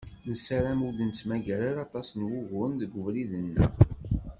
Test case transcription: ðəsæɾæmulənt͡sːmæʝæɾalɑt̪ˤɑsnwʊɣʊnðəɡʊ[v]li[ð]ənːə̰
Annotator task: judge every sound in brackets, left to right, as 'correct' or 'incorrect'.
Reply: correct, correct

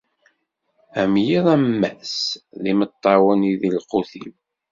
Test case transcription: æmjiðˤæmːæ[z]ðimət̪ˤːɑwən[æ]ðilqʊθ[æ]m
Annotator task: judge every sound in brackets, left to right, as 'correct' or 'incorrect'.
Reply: incorrect: s, incorrect: i, incorrect: i

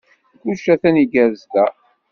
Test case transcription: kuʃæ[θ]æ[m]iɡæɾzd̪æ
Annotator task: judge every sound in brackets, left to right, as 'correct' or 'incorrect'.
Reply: correct, incorrect: n

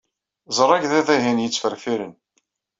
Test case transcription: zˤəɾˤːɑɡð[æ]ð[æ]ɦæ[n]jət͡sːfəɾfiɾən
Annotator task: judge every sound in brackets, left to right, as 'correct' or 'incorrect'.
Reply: correct, correct, correct

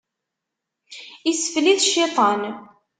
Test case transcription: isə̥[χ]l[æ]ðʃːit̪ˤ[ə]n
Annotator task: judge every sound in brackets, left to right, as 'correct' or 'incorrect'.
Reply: incorrect: f, incorrect: i, incorrect: ɑ

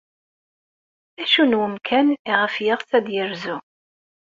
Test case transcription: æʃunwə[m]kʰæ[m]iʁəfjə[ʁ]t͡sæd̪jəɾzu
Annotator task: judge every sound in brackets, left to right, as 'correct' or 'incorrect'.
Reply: correct, incorrect: n, correct

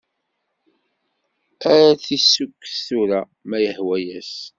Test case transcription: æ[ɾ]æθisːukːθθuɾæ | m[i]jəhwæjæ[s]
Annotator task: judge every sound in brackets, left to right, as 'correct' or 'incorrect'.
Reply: correct, incorrect: æ, correct

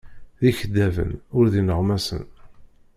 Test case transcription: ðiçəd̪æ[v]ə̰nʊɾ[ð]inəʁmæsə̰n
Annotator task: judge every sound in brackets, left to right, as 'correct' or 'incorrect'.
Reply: correct, correct

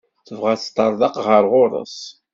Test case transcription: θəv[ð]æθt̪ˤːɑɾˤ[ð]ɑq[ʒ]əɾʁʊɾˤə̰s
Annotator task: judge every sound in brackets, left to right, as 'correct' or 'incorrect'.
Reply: incorrect: ʁ, correct, incorrect: ʁ

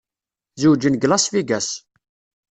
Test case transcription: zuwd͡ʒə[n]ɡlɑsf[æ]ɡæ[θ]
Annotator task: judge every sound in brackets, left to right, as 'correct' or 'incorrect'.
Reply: correct, incorrect: i, incorrect: s

